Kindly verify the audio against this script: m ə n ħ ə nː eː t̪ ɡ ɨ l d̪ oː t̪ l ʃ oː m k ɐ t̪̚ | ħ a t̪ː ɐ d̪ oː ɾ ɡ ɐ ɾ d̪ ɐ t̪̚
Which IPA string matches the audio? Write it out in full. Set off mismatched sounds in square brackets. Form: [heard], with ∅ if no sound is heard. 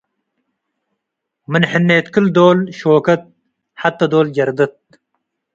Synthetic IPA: m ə n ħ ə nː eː t̪ [k] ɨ l d̪ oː [∅] l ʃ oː [∅] k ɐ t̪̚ | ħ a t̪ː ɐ d̪ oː [l] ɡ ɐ ɾ d̪ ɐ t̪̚